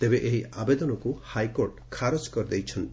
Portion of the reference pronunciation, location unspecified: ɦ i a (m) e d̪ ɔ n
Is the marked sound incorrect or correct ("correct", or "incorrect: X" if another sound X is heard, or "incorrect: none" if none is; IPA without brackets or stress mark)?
incorrect: b